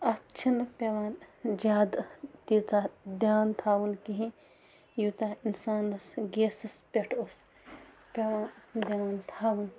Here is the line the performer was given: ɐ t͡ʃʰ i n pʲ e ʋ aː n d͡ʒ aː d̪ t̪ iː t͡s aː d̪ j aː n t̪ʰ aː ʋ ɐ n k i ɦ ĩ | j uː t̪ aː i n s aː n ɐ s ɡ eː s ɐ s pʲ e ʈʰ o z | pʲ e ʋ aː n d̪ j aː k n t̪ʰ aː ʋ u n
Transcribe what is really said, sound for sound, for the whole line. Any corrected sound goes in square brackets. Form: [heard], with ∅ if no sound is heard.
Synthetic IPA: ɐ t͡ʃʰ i n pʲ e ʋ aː n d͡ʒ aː d̪ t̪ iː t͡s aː d̪ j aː n t̪ʰ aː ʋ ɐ n k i ɦ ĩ | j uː t̪ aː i n s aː n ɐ s ɡ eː s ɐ s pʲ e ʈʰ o [s] | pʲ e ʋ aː n d̪ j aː [∅] n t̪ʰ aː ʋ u n

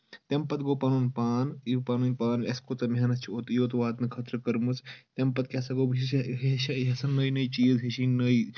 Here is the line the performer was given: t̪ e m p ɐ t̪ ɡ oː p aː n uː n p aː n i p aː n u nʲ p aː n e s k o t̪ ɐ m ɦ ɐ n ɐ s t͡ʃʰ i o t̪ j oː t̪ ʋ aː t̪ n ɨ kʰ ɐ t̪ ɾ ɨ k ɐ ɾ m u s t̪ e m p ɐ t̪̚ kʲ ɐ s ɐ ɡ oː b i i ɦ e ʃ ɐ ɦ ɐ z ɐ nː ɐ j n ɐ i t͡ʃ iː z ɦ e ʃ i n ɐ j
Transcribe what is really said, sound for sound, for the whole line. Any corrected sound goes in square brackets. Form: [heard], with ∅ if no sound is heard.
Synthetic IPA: t̪ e m p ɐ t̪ ɡ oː p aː n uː n p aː n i p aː n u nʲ p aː n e s k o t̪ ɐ m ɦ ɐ n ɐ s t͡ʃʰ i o t̪ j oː t̪ ʋ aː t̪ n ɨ kʰ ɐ t̪ ɾ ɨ k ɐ ɾ m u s t̪ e m p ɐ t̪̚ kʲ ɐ s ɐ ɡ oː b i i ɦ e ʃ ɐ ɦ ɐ [s] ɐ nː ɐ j n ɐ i t͡ʃ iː z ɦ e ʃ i n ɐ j

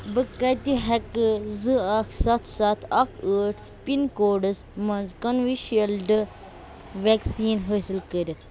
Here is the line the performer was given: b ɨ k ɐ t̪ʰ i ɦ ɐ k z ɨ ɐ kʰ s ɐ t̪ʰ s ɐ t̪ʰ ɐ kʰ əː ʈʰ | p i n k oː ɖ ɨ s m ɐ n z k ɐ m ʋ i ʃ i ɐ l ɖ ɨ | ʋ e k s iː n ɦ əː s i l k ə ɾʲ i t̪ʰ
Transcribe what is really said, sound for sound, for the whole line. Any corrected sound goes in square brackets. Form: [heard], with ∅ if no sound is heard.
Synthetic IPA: b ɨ k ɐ [t̪] i ɦ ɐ k z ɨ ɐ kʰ s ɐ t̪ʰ s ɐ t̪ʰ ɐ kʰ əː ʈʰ | p i n k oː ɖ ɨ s m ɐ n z k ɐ [n] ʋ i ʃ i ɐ l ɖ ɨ | ʋ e k s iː n ɦ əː s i l k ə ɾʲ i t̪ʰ

